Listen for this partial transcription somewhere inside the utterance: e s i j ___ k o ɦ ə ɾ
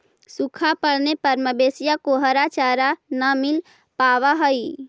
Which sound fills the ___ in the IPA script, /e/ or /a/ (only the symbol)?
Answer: a